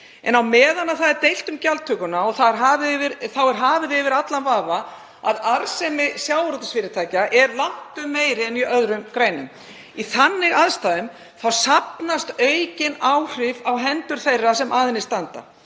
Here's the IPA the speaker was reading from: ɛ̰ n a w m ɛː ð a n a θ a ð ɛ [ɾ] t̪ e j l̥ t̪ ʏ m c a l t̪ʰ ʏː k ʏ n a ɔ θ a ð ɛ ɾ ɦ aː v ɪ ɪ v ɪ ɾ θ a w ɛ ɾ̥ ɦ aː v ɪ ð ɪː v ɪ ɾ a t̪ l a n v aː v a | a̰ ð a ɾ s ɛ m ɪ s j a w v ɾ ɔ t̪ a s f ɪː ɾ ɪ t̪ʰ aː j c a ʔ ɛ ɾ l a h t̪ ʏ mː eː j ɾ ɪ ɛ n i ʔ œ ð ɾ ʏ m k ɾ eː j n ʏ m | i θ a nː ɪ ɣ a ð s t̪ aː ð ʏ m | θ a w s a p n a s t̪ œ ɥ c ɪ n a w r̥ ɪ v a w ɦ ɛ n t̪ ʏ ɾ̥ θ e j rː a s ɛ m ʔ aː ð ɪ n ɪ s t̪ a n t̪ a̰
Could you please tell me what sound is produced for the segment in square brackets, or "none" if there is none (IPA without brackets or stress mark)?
ɾ